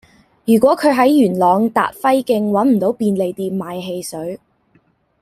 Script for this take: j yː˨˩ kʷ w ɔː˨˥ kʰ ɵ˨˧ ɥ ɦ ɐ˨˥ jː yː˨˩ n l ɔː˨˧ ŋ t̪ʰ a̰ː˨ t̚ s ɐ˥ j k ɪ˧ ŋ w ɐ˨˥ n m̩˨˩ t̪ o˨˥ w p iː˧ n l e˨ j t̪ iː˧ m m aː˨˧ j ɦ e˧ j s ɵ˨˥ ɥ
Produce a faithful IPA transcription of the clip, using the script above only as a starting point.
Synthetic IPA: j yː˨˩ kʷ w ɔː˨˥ kʰ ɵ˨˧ ɥ ɦ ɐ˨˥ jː yː˨˩ n l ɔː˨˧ ŋ t̪ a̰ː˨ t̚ f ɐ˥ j k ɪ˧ ŋ w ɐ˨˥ n m̩˨˩ t̪ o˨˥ w p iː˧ n l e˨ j t̪ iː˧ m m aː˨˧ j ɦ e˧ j s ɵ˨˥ ɥ